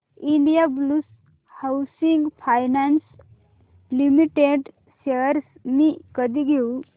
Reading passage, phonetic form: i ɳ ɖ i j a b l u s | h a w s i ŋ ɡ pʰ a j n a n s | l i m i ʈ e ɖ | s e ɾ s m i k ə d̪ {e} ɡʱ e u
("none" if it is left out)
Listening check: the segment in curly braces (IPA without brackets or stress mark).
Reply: i